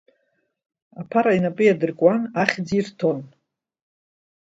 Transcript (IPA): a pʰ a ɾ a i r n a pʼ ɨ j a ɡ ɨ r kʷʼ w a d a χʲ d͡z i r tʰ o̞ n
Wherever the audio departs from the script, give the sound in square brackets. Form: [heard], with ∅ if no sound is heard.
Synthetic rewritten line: a pʰ a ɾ a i [∅] n a pʼ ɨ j a [d] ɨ r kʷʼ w a [n] a χʲ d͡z i r tʰ o̞ n